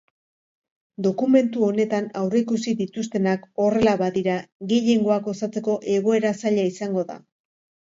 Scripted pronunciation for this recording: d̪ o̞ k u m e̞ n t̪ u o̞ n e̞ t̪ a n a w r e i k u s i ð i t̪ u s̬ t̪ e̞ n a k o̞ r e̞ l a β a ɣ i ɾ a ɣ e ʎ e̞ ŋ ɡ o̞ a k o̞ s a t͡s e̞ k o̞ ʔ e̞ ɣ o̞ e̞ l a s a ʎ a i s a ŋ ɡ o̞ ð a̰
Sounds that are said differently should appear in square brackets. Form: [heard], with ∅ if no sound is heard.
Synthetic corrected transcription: d̪ o̞ k u m e̞ n t̪ u o̞ n e̞ t̪ a n a w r e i k u s i ð i t̪ u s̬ t̪ e̞ n a k o̞ r e̞ l a β a [ð] i ɾ a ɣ e ʎ e̞ ŋ ɡ o̞ a k o̞ s a t͡s e̞ k o̞ ʔ e̞ ɣ o̞ e̞ [ɾ] a s a ʎ a i s a ŋ ɡ o̞ ð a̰